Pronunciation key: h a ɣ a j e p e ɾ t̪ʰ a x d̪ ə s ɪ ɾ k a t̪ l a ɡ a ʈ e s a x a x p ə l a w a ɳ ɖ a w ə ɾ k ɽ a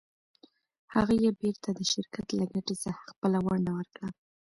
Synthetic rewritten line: h a ɣ a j e b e ɾ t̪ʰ a d̪ ə ʃ ɪ ɾ k a t̪ l a ɡ a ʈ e s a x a x p ə l a w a ɳ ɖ a w ə ɾ k ɽ a